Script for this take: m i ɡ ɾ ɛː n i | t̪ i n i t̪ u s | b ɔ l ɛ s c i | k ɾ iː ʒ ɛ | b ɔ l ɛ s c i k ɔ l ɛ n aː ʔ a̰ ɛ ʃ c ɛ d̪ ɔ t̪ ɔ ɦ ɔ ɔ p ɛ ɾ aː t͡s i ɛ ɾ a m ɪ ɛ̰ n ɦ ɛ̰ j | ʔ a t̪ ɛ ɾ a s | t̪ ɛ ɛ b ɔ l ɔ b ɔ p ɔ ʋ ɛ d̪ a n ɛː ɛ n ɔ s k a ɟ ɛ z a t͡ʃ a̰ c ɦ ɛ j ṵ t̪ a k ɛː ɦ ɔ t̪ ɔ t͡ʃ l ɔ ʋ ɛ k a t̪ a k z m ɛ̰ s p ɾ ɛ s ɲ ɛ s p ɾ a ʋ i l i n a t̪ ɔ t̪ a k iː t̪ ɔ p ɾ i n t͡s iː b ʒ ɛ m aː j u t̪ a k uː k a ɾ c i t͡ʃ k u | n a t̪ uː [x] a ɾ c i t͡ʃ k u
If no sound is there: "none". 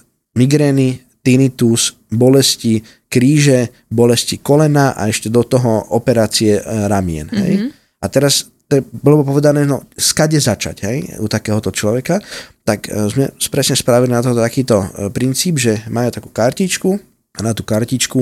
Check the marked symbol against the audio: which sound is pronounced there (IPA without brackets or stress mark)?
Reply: k